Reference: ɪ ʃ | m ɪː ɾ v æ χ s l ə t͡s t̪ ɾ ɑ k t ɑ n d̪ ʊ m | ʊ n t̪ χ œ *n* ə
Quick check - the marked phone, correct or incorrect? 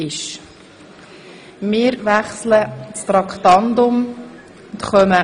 incorrect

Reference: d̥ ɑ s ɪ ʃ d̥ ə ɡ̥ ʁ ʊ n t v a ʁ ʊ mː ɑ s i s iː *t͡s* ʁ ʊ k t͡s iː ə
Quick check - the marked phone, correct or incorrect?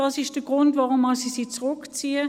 correct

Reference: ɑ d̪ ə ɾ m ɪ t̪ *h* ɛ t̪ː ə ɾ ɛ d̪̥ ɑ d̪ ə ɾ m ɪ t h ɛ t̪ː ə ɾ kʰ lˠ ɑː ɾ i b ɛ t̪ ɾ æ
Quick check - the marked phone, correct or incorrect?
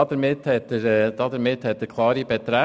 correct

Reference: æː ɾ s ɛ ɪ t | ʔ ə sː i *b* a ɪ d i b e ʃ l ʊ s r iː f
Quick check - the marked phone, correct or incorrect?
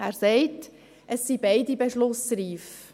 correct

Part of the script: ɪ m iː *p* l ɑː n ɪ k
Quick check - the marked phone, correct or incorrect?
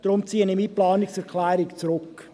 correct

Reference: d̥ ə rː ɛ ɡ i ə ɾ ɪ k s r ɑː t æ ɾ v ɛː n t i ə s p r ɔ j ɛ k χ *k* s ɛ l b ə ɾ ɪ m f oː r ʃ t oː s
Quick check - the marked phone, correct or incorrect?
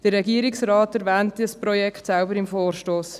incorrect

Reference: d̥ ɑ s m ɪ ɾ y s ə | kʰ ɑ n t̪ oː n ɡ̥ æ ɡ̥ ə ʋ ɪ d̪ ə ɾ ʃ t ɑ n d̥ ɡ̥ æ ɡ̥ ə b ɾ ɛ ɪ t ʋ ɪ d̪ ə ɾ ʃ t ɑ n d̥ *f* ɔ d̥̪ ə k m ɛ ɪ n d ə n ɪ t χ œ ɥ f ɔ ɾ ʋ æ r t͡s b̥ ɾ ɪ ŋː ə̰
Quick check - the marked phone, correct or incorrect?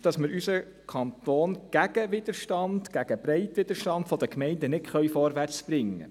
correct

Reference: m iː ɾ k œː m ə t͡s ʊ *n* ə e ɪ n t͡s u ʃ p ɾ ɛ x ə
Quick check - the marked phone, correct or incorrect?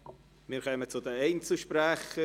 incorrect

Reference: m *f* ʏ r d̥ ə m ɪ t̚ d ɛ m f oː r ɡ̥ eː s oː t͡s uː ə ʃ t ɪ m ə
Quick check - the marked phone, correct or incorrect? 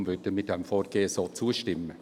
incorrect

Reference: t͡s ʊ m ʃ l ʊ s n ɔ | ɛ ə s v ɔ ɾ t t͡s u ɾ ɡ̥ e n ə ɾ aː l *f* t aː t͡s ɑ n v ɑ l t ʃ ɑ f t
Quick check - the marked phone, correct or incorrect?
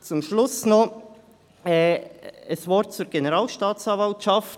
incorrect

